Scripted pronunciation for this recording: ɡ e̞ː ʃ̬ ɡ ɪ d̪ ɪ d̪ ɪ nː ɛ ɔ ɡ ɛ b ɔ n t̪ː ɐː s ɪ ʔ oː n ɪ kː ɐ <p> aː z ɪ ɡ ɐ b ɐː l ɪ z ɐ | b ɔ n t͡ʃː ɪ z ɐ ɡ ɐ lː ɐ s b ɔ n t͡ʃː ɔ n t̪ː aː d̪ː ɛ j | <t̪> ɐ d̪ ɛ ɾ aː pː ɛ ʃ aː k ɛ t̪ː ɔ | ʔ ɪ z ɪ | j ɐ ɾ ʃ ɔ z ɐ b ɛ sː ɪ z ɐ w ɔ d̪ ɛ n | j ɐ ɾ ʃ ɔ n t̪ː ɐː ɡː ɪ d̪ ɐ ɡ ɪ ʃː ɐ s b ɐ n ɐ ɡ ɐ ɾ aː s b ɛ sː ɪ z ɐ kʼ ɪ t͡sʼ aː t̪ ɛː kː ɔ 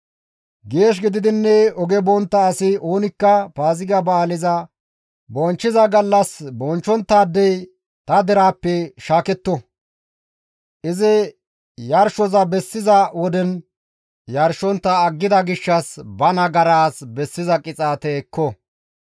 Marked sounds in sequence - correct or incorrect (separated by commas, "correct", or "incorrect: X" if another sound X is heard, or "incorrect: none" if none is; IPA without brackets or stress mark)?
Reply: correct, correct